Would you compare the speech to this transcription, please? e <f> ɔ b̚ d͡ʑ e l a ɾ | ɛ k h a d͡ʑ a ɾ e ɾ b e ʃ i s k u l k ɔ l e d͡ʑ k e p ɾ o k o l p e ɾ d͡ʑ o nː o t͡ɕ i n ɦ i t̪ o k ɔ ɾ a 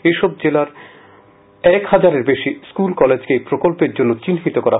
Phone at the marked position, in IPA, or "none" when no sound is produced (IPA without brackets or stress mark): ʃ